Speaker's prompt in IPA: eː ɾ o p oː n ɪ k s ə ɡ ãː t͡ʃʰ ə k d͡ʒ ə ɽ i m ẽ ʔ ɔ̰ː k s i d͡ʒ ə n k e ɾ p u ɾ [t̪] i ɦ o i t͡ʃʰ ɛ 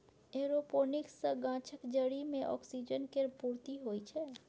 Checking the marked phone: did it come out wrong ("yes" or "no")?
no